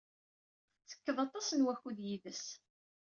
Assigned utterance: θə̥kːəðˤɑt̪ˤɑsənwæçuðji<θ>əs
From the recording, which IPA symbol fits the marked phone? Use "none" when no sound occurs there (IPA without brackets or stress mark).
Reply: ð